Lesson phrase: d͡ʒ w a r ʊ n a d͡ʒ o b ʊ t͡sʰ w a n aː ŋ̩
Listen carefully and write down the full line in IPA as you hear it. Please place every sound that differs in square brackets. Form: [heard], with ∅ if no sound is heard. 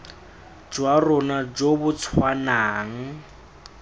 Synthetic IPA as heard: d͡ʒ w a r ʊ n a d͡ʒ o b ʊ t͡sʰ w a n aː ŋ̩